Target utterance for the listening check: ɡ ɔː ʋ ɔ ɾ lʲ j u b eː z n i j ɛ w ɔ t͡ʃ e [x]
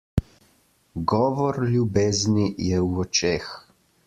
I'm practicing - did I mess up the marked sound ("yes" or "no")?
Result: no